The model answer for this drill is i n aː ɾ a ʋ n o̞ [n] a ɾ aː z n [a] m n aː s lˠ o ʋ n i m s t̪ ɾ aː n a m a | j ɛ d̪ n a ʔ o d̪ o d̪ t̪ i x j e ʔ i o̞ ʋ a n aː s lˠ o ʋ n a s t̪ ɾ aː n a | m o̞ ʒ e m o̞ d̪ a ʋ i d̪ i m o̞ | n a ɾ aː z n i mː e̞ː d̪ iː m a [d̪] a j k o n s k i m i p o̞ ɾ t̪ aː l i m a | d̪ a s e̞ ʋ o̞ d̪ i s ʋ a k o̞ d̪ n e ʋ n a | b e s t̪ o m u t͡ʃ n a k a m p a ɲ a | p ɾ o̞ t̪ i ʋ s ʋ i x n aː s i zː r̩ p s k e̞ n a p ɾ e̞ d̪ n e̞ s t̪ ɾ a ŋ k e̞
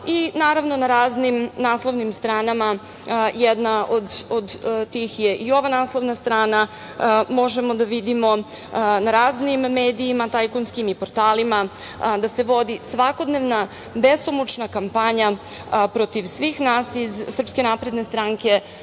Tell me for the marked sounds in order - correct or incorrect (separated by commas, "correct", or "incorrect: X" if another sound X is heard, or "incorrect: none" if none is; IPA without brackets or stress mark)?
correct, incorrect: i, incorrect: t̪